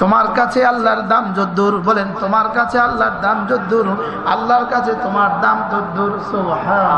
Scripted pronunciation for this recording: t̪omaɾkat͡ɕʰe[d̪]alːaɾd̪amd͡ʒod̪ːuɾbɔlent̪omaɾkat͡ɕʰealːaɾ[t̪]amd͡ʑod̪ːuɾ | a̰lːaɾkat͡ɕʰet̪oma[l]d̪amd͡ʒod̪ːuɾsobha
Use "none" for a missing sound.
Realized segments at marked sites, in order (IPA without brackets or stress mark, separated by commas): none, d̪, ɾ